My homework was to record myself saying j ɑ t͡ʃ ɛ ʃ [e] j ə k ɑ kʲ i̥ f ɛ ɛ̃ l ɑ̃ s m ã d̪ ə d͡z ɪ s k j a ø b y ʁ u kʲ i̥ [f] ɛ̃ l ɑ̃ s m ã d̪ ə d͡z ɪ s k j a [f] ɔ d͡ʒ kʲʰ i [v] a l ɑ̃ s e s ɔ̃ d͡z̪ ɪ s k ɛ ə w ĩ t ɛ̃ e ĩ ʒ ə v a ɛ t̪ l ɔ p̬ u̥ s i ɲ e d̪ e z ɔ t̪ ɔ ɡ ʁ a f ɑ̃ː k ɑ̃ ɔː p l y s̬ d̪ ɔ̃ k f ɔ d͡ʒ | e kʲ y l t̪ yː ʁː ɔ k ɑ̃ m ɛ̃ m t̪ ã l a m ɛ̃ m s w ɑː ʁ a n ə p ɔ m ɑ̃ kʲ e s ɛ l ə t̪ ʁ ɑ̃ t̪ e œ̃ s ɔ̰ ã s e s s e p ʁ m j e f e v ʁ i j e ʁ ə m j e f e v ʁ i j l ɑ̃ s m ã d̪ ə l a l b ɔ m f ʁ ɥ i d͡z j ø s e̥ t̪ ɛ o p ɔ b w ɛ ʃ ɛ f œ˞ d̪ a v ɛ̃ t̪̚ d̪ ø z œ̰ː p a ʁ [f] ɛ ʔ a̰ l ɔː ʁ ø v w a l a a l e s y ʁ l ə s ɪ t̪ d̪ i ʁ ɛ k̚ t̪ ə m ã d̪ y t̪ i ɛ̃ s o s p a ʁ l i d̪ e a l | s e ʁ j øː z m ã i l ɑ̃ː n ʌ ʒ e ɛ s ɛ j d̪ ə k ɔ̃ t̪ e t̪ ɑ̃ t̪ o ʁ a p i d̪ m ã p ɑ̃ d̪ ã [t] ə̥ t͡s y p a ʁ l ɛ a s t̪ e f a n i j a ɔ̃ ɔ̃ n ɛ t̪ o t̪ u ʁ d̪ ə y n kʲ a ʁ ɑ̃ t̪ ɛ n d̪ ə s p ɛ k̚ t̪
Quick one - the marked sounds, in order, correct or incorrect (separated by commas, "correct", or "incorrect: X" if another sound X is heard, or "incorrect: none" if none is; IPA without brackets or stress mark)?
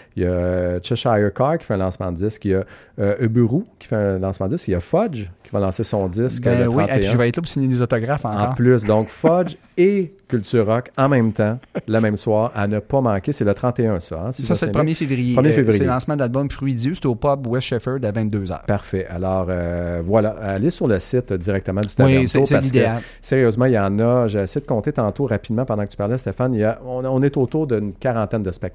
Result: incorrect: a, correct, correct, correct, correct, incorrect: k